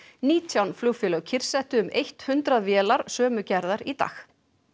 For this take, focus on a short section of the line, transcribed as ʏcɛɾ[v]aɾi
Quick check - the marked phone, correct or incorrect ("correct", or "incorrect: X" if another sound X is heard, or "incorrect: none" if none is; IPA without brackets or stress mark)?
incorrect: ð